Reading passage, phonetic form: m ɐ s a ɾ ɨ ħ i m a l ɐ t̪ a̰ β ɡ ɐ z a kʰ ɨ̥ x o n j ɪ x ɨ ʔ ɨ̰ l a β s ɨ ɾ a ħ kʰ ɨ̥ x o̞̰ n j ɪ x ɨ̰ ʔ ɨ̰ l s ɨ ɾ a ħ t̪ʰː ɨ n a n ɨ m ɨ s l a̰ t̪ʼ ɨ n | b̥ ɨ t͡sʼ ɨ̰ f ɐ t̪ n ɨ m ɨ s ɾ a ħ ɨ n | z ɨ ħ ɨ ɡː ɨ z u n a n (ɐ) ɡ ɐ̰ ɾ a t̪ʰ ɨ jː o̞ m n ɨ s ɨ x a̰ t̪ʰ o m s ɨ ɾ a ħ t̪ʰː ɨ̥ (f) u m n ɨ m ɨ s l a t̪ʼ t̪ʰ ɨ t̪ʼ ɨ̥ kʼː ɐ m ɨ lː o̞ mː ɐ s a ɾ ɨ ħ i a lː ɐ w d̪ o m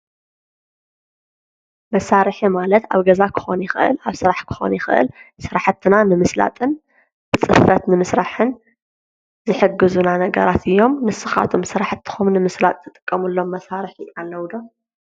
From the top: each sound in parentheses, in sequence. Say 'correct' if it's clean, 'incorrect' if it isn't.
correct, incorrect

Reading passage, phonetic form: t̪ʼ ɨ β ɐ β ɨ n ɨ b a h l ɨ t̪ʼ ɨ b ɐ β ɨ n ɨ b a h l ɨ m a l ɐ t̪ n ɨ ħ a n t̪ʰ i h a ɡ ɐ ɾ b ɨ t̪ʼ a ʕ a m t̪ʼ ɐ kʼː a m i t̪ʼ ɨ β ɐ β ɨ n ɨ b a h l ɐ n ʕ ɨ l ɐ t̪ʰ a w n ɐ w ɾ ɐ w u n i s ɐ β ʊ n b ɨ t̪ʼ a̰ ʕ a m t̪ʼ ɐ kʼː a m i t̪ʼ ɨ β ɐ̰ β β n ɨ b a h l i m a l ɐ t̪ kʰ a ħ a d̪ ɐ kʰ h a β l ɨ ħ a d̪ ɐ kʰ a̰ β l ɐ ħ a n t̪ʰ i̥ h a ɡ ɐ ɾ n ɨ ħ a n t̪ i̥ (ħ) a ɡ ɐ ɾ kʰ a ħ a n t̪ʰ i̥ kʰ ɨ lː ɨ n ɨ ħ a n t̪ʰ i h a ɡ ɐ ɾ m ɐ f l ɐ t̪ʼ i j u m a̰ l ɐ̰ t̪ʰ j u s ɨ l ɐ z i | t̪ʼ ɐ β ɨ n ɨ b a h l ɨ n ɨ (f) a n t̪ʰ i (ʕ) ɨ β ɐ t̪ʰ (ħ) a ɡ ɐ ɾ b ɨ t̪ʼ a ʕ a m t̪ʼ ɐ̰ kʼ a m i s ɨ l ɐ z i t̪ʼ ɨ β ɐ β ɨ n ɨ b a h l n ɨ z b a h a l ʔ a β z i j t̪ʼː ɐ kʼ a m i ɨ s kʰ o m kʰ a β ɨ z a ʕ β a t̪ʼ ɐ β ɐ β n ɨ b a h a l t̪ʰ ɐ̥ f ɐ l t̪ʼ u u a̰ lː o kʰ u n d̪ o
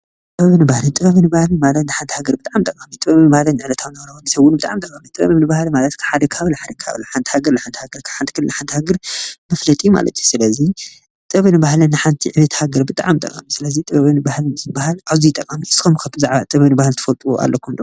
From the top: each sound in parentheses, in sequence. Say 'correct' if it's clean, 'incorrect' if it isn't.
incorrect, incorrect, correct, incorrect

